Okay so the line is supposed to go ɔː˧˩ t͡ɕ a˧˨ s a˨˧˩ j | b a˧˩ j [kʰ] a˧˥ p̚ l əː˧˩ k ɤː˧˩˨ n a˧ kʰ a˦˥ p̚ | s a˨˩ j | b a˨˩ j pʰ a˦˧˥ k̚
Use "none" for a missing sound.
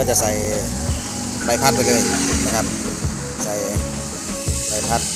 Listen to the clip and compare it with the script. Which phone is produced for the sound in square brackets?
pʰ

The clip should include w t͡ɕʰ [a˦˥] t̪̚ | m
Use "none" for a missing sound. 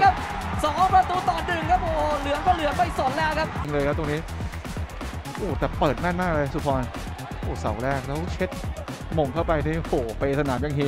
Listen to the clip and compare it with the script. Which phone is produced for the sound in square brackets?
e˦˥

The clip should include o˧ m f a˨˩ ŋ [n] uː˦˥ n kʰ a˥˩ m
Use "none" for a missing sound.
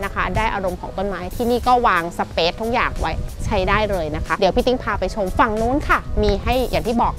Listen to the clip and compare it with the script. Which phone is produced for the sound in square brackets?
n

